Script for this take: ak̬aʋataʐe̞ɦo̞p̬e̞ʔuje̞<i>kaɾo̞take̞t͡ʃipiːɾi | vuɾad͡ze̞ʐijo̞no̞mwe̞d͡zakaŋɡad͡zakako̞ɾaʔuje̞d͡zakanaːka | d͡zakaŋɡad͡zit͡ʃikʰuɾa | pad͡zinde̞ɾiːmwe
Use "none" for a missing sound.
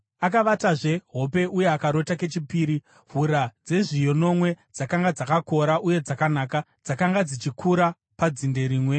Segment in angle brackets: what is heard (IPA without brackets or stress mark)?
a